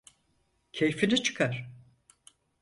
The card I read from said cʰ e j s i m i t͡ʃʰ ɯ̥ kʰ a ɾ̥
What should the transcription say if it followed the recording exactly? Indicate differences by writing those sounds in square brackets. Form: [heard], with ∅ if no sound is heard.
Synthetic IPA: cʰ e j [f] i [n] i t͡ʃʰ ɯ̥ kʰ a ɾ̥